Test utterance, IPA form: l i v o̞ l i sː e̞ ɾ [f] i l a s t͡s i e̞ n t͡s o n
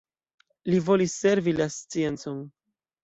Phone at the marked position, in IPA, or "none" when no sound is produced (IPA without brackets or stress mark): v